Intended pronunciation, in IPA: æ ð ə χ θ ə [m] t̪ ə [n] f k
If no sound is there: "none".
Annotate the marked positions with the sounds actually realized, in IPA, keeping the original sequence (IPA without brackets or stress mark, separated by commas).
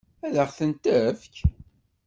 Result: n, none